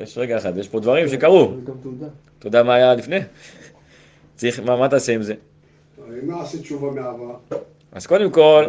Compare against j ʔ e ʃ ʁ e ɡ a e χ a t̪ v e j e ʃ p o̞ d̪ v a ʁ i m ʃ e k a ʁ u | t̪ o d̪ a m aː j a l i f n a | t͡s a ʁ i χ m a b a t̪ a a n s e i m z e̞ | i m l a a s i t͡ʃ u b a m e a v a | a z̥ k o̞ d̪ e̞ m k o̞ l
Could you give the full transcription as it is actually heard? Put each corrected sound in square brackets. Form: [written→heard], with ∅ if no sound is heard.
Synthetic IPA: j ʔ e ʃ ʁ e ɡ a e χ a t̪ v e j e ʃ p o̞ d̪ v a ʁ i m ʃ e k a ʁ u | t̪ o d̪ a m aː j a l i f n [a→e] | t͡s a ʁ i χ m a [b→m] a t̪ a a [n→∅] s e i m z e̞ | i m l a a s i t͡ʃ u [b→v] a m e a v a | a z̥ k o̞ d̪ e̞ m k o̞ l